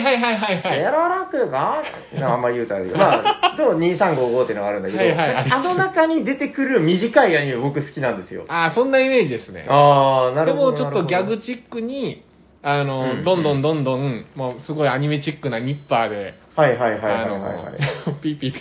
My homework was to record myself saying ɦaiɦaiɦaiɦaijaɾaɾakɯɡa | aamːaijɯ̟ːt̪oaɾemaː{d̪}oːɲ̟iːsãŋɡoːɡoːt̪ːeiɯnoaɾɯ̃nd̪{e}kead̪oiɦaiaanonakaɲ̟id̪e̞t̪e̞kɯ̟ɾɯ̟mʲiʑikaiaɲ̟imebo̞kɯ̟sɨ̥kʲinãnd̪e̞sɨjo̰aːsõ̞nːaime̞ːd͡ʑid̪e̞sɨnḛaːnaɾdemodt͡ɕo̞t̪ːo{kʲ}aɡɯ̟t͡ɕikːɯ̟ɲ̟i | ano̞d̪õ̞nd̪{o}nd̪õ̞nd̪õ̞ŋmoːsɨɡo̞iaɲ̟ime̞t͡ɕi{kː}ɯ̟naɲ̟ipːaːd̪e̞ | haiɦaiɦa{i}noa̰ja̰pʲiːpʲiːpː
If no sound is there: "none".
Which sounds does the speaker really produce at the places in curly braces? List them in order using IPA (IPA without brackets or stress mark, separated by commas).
d̪, a, ɡʲ, õ, kː, a